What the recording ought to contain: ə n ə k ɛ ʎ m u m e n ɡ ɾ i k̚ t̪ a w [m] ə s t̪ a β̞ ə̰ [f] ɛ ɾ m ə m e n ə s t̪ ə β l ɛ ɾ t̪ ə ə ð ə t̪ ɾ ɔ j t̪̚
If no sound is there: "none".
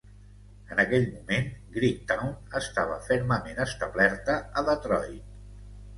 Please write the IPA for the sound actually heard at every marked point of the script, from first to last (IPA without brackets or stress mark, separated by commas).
n, f